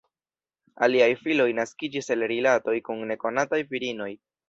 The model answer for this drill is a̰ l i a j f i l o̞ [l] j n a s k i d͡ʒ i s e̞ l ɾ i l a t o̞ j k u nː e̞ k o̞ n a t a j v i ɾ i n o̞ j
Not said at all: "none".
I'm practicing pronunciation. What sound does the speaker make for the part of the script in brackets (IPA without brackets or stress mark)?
none